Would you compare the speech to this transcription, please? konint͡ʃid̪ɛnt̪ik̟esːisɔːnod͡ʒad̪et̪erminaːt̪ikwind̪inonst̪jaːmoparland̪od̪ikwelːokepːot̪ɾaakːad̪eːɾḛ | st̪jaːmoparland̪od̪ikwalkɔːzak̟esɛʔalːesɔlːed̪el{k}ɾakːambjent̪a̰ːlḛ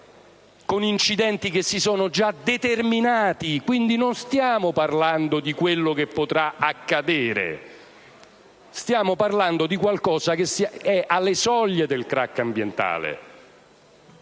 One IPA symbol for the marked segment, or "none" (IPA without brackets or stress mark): k